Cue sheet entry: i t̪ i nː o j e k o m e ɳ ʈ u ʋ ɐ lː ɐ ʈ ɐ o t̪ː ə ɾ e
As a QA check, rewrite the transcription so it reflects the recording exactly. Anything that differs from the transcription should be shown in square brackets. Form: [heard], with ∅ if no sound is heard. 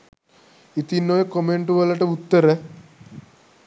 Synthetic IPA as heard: i t̪ i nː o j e k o m e ɳ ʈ u ʋ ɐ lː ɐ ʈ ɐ [u] t̪ː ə ɾ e